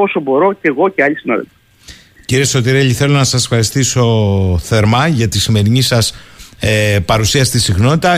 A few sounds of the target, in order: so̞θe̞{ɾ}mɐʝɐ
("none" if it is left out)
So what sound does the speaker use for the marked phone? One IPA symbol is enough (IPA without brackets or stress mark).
ɾ